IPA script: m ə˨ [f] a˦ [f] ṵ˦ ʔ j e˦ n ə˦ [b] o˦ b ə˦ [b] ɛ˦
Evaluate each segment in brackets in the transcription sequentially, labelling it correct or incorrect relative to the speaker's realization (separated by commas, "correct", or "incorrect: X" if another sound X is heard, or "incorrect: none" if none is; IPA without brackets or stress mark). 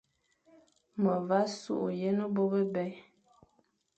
incorrect: v, incorrect: s, correct, correct